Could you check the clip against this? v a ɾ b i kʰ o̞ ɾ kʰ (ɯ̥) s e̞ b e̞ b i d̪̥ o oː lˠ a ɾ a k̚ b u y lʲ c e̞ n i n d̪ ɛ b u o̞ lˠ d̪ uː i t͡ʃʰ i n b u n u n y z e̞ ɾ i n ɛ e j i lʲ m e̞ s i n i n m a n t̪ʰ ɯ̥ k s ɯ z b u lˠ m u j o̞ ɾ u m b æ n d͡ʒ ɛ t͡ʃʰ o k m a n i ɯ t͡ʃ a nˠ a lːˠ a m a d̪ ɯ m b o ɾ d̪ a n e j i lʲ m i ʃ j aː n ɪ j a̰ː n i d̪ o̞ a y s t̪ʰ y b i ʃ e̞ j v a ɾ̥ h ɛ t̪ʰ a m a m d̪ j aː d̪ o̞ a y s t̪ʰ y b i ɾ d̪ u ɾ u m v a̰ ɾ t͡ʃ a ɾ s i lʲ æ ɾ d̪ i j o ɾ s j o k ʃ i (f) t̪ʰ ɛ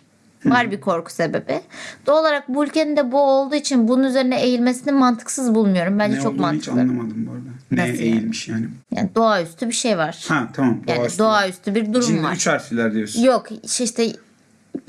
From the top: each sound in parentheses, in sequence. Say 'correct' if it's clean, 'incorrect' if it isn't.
incorrect, incorrect

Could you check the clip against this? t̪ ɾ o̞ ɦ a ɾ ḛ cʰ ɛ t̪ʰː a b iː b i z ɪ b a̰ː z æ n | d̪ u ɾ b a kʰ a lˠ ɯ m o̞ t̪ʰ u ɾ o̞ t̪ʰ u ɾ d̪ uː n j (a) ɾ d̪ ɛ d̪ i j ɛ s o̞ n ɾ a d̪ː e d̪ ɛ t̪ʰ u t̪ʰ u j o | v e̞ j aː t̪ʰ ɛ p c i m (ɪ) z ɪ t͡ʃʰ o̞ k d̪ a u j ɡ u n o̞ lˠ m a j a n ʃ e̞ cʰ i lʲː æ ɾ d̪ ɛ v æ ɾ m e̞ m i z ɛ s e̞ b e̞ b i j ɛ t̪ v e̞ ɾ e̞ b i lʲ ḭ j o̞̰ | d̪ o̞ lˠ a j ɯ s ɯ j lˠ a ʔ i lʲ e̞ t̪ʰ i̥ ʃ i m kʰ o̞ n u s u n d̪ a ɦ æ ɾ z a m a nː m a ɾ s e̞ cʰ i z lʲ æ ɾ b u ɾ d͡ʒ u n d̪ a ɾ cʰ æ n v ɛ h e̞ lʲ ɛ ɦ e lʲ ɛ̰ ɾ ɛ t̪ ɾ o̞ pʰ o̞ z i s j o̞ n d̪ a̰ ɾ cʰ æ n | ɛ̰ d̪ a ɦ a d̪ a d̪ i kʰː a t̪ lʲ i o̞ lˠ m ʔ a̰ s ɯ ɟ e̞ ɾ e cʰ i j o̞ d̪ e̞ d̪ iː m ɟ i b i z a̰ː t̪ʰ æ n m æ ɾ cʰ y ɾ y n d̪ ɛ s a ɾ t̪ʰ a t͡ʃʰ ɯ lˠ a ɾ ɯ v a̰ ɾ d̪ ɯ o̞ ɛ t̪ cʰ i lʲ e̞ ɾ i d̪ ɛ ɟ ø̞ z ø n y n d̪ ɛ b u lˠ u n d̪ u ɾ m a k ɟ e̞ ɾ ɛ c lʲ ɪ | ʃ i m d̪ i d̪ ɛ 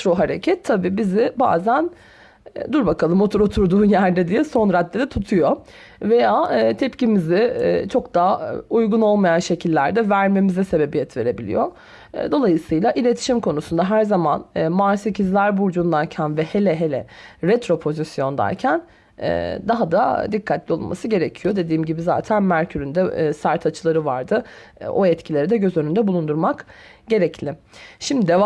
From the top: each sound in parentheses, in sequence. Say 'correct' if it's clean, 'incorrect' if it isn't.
incorrect, incorrect

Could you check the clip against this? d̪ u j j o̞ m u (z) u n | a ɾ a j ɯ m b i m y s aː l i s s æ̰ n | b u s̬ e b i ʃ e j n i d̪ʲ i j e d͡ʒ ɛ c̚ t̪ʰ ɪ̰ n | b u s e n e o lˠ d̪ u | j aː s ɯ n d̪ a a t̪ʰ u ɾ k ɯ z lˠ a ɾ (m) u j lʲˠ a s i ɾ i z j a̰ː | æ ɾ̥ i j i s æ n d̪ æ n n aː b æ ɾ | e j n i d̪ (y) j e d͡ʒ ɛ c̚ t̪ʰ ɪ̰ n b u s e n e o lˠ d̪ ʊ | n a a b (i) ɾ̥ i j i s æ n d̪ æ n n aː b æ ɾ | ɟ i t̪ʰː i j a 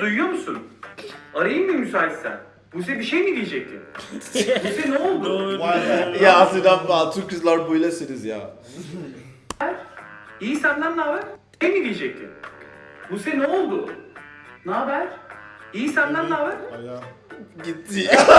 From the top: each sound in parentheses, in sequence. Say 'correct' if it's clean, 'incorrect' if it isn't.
incorrect, incorrect, incorrect, incorrect

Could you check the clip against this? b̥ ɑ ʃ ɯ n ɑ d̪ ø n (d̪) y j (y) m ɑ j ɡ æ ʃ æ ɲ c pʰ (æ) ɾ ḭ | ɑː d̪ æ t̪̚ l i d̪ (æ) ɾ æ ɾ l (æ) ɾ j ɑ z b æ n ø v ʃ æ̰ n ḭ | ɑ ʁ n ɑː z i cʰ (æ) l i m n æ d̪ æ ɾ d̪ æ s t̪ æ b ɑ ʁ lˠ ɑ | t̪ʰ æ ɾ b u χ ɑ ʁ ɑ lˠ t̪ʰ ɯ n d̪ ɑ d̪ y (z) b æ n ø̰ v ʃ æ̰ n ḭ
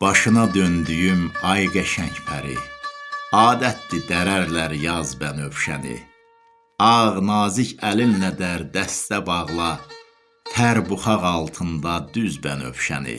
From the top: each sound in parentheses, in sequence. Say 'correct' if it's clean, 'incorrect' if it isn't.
correct, correct, correct, correct, correct, correct, correct

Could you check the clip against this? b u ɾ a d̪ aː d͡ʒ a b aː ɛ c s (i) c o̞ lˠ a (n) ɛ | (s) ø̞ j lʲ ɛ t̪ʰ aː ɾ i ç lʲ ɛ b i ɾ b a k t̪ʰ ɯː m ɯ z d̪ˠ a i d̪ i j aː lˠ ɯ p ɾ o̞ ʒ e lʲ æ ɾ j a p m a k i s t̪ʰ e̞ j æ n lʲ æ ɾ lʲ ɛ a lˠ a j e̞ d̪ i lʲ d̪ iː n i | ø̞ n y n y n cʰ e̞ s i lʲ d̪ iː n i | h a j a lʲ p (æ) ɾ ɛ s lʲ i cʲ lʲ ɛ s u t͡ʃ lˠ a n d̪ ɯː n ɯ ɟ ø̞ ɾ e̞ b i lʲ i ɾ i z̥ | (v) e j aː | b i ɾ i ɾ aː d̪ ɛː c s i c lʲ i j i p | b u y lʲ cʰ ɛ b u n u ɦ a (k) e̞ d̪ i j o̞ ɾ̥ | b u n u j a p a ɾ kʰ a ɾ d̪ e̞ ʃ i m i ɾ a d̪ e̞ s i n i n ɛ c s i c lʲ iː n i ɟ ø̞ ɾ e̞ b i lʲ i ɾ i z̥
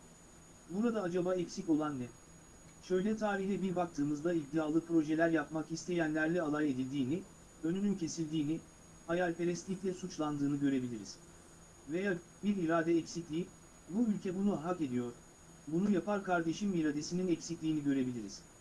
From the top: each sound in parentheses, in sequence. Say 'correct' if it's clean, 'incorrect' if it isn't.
correct, incorrect, incorrect, incorrect, correct, correct

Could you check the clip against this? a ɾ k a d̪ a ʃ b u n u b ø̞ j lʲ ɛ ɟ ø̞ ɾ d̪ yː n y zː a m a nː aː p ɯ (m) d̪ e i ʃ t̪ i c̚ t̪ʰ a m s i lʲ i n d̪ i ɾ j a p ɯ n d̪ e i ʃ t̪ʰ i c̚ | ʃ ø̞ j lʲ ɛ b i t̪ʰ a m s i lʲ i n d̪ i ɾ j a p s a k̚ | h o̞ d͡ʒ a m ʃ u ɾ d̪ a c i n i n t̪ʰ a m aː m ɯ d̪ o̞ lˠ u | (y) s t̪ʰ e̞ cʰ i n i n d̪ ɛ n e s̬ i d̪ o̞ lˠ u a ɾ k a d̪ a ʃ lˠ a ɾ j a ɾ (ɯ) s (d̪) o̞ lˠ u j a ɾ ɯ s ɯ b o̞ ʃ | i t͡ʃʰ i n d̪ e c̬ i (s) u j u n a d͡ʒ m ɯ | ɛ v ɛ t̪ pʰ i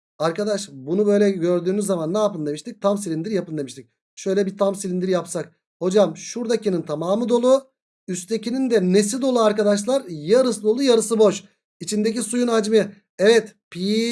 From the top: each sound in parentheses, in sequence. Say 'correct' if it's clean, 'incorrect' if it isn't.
incorrect, correct, correct, correct, correct

